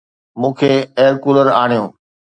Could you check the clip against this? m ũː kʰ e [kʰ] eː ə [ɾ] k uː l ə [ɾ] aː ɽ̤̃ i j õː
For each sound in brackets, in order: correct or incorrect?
incorrect: none, correct, correct

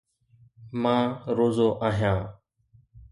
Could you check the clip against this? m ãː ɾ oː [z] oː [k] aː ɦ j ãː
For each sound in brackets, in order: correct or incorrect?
correct, incorrect: ʔ

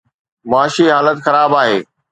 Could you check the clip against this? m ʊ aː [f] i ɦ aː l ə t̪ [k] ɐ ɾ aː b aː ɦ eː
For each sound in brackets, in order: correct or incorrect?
incorrect: ʃ, incorrect: x

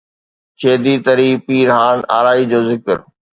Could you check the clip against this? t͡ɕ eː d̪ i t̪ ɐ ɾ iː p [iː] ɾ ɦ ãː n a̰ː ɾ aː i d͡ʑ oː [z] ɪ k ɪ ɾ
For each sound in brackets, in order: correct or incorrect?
correct, correct

